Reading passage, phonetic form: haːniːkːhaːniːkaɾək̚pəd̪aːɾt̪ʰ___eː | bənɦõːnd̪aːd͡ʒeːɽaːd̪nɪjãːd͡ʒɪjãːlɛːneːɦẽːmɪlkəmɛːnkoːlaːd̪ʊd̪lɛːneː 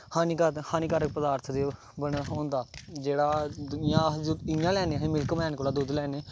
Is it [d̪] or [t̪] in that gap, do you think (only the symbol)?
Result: d̪